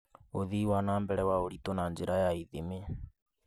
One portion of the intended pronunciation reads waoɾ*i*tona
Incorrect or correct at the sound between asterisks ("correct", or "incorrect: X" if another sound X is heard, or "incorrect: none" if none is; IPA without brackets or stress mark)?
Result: correct